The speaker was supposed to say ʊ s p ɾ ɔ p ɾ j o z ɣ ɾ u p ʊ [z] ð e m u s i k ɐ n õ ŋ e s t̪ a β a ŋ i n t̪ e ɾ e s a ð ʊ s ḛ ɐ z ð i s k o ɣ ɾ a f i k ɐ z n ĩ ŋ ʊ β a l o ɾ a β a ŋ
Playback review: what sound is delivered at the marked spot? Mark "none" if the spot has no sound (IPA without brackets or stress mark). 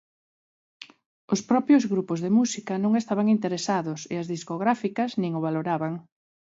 z